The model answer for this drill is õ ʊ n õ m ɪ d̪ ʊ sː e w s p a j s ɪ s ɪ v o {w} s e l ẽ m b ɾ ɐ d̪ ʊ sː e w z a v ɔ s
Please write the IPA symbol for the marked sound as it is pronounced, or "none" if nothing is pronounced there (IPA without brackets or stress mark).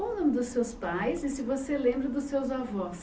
none